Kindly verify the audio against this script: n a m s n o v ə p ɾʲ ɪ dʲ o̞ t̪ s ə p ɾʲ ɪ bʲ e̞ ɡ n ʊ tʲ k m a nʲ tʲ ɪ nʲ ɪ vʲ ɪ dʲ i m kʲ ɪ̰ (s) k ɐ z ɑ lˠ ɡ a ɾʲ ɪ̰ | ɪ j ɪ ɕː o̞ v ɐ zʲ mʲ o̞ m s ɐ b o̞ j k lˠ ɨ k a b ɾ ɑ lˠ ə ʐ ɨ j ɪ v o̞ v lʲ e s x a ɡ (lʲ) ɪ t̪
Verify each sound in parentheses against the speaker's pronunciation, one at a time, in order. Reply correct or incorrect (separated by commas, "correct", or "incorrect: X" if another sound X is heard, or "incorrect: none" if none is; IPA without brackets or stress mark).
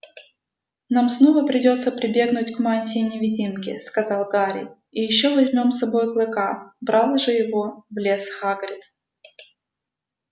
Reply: correct, incorrect: ɾʲ